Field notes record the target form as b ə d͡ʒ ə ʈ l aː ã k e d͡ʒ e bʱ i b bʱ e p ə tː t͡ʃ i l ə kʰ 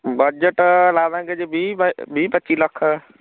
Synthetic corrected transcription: b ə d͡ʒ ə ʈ l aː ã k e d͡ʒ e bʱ i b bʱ i p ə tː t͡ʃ i l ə kʰ